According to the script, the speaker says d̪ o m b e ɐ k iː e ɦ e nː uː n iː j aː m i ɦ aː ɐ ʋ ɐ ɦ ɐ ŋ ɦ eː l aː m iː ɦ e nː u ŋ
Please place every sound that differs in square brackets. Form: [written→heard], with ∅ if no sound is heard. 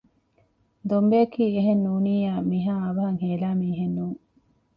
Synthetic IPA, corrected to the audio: d̪ o m b e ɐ k iː e ɦ e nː uː n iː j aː m i ɦ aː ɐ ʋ ɐ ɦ ɐ ŋ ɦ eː l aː m iː ɦ e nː [u→uː] ŋ